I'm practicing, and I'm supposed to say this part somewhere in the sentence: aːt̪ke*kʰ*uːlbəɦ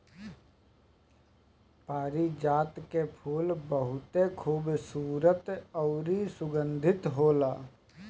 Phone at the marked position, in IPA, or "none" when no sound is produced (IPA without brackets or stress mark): pʰ